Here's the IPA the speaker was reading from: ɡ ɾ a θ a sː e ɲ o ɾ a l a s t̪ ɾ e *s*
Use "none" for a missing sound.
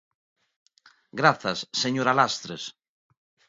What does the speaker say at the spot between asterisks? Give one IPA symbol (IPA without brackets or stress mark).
s